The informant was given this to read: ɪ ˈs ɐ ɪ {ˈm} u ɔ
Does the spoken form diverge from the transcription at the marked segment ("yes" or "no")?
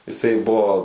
yes